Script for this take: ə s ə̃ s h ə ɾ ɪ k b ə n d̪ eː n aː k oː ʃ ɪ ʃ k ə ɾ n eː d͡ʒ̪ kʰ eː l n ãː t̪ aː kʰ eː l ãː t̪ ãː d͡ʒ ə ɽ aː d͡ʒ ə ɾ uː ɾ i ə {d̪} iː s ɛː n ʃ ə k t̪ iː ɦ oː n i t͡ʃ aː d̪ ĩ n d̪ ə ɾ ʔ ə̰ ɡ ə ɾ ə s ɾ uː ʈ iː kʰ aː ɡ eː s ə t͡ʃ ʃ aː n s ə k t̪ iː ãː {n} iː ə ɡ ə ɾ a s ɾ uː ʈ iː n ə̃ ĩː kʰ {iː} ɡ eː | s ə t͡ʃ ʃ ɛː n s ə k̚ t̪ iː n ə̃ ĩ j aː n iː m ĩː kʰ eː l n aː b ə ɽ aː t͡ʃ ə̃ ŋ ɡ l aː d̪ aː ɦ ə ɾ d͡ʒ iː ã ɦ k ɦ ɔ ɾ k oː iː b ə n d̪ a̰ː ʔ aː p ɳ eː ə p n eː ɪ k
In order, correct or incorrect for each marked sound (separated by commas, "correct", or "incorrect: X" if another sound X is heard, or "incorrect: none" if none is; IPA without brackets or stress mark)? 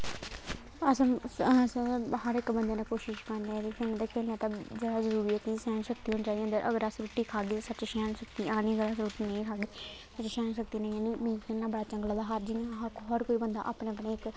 incorrect: t̪, correct, incorrect: aː